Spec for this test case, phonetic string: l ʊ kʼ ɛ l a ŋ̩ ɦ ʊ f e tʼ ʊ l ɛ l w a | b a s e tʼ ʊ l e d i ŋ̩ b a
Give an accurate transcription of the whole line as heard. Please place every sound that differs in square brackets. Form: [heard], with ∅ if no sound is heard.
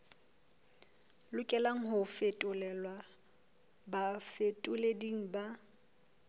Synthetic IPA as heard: l ʊ kʼ ɛ l a ŋ̩ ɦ ʊ f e tʼ ʊ l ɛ l w a | b a [f] e tʼ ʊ l e d i ŋ̩ b a

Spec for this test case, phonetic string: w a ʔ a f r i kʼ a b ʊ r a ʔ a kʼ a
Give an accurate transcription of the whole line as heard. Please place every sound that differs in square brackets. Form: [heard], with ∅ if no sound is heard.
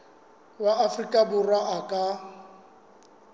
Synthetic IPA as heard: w a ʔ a f r i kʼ a b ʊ r a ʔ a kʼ a

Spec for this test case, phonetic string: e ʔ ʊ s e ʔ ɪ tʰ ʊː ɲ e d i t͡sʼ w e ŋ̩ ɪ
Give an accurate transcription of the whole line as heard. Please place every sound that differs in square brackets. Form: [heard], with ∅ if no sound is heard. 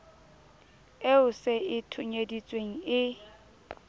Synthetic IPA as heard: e [∅] ʊ s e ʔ ɪ tʰ [ʊ] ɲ e d i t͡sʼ w e ŋ̩ ɪ

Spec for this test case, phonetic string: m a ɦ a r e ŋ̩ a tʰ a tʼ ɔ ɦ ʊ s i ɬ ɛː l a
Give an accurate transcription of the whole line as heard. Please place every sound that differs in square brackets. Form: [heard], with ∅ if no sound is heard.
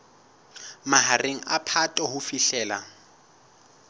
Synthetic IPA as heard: m a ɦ a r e ŋ̩ a [pʰ] a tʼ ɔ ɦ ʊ [f] i ɬ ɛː l a

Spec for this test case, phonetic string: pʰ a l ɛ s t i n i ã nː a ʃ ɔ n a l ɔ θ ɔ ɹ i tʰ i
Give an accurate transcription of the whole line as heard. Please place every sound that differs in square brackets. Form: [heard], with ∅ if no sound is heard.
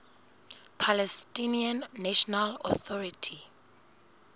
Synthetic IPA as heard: pʰ a l ɛ s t i n i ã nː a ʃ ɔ n a l ɔ θ ɔ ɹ i tʰ i

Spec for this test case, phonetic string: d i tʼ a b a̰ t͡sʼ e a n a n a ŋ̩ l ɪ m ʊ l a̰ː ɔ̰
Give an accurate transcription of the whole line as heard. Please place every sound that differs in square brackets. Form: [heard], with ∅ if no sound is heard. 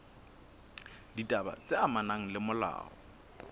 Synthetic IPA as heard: d i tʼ a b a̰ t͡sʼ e a [m] a n a ŋ̩ l ɪ m ʊ l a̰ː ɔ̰

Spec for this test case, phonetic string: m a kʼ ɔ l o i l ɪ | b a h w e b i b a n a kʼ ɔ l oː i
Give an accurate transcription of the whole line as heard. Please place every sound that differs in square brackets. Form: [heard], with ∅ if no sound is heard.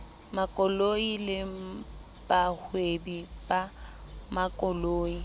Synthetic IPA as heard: m a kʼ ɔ l o i l ɪ | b a h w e b i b a [m] a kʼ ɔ l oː i

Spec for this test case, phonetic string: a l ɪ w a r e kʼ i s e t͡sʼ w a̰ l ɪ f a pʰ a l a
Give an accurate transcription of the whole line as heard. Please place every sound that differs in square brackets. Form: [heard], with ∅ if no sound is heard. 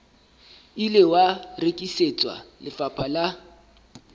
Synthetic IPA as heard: [i] l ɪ w a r e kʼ i s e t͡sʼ w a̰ l ɪ f a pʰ a l a

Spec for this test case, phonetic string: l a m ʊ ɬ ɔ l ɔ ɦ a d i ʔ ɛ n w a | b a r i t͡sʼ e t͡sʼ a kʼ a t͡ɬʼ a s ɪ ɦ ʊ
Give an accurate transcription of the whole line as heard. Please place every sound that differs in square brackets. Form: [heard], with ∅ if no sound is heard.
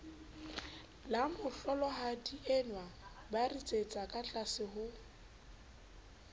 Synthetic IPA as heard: l a m ʊ ɬ ɔ l ɔ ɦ a d i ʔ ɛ n w a | b a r i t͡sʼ e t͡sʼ a kʼ a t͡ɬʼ a s ɪ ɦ ʊ

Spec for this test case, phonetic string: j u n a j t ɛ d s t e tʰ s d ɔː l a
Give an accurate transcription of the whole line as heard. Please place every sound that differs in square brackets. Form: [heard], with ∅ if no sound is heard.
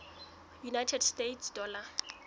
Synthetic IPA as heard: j u n a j [tʰ] ɛ d s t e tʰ s d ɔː l a

